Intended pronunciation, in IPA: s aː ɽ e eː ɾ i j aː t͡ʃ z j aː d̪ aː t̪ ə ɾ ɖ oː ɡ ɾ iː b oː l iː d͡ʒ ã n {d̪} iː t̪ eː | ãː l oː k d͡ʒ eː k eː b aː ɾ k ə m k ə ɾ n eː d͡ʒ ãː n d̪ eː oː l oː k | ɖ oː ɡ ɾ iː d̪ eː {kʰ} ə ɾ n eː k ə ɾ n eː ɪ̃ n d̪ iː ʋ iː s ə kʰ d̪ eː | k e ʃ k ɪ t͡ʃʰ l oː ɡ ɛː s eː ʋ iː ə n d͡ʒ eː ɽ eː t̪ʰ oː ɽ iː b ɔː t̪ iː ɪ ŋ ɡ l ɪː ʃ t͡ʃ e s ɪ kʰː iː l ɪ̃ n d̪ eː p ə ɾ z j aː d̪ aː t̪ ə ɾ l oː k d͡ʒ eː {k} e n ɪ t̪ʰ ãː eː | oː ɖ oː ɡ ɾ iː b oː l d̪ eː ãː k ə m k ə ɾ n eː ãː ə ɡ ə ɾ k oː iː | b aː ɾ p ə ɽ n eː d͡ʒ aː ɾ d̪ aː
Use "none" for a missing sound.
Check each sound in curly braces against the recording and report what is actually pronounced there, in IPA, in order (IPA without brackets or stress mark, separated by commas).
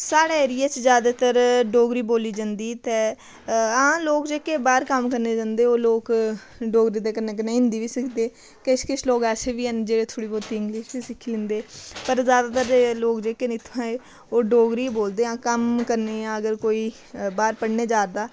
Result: d̪, k, k